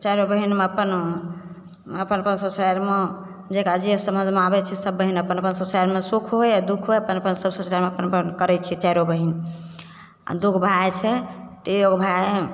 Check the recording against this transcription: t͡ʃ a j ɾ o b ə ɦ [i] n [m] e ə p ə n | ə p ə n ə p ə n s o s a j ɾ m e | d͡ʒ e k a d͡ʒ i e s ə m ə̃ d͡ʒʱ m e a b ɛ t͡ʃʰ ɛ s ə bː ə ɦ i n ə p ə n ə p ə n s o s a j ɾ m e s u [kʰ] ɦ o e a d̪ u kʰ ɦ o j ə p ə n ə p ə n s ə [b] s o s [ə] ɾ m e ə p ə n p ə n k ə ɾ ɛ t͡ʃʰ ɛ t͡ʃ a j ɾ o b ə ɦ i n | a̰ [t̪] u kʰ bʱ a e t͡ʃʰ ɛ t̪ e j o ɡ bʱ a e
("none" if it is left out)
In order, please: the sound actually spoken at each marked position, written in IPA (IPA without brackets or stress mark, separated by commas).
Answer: i, m, kʰ, b, a, d̪